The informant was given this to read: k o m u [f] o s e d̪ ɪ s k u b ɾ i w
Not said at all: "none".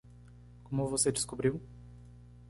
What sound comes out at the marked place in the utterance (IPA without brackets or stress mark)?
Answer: v